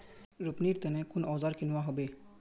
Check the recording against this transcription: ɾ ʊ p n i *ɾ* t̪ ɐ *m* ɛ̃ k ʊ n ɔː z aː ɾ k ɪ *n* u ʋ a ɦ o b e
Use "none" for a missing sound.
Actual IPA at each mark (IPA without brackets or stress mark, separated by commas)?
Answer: ɾ, n, n